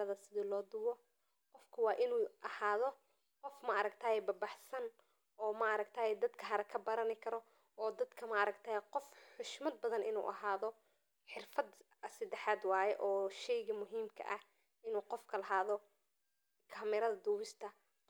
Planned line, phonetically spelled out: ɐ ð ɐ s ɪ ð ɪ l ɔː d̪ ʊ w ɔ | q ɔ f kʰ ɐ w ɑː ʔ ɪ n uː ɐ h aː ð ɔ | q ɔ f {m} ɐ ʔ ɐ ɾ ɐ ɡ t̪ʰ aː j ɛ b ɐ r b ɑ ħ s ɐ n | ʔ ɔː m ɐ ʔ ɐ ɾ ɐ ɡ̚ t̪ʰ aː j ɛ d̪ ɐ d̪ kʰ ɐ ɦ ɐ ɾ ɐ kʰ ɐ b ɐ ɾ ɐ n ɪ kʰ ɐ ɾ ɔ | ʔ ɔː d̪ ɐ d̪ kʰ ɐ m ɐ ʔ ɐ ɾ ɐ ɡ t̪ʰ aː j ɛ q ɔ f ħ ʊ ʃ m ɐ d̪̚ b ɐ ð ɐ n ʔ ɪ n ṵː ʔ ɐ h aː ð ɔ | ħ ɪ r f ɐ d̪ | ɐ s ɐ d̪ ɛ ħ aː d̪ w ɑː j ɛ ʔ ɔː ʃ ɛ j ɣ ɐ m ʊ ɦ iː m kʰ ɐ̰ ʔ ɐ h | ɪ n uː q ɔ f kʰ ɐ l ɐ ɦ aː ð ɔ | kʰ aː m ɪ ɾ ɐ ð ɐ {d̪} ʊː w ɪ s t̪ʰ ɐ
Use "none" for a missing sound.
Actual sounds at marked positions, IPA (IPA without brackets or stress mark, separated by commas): m, d̪